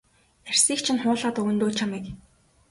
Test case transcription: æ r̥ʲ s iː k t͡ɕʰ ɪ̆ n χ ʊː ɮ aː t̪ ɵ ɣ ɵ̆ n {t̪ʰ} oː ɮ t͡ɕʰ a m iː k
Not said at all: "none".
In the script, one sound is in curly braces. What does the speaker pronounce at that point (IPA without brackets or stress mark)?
t̪